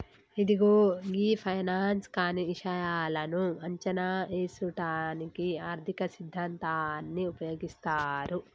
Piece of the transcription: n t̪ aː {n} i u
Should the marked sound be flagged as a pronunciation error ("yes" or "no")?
yes